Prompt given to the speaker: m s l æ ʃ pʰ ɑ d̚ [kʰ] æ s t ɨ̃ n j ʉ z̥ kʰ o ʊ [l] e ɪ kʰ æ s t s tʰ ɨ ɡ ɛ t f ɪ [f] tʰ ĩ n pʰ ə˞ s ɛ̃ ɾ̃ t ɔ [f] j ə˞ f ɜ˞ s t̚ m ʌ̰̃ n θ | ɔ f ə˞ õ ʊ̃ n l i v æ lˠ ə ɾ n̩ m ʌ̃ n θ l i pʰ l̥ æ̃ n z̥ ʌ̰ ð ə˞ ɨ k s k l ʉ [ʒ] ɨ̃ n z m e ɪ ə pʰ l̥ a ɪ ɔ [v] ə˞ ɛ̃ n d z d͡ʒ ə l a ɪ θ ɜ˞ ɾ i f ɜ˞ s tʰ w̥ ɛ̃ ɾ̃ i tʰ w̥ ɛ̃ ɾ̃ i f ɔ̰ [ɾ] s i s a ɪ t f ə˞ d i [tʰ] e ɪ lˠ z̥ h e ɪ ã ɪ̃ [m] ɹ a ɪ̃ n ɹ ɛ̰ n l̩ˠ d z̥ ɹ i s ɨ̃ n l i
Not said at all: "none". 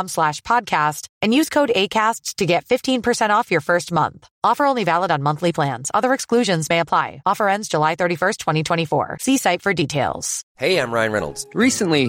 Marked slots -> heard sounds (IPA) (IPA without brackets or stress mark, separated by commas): kʰ, ɾ, f, f, ʒ, f, ɹ, tʰ, m